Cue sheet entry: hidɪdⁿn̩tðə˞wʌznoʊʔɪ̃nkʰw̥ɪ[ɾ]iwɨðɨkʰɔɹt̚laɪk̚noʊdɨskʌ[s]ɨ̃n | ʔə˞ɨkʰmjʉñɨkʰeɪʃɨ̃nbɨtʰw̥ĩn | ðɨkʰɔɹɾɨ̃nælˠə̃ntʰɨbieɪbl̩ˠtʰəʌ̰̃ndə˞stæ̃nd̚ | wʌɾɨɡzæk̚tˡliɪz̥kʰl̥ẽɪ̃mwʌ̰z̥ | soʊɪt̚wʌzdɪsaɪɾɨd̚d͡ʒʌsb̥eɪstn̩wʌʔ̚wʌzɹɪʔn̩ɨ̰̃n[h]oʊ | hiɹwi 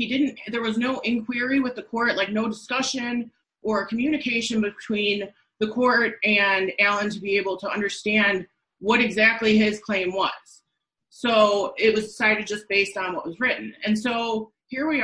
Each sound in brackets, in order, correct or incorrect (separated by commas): incorrect, incorrect, incorrect